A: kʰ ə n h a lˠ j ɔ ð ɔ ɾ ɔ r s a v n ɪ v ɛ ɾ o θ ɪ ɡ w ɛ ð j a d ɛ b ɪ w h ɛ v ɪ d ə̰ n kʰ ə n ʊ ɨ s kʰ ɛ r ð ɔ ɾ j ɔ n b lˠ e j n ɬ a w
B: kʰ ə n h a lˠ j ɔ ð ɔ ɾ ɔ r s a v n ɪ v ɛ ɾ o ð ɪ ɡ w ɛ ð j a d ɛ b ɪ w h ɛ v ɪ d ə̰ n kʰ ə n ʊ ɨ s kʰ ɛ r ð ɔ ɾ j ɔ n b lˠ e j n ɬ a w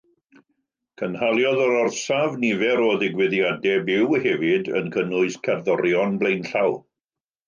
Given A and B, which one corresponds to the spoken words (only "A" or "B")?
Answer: B